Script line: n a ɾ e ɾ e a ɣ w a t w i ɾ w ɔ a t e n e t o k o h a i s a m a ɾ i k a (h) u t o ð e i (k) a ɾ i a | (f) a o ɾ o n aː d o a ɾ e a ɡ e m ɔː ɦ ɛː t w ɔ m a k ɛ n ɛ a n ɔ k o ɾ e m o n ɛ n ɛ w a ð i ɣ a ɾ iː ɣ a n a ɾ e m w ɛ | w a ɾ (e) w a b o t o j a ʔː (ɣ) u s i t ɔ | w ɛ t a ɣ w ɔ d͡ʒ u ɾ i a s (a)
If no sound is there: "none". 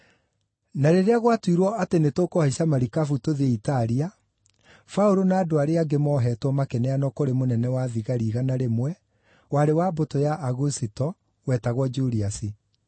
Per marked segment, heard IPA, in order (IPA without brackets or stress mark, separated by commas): f, t, f, e, ɣ, i